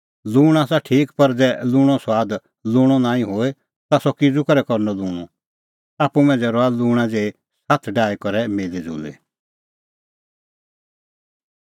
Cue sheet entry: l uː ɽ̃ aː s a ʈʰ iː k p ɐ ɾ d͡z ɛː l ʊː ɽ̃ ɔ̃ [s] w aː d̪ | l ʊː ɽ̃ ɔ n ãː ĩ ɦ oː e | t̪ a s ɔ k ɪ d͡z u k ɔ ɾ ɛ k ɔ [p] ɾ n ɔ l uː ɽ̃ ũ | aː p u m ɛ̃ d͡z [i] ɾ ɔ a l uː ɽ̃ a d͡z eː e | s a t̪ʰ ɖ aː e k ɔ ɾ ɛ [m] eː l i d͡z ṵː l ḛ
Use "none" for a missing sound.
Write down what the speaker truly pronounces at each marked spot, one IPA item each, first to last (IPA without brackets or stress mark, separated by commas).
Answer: s, none, ɛ, m